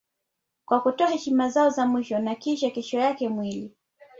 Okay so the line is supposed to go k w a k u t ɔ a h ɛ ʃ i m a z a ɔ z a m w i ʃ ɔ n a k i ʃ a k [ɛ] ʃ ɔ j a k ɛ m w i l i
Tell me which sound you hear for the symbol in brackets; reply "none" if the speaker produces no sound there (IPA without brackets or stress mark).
ɛ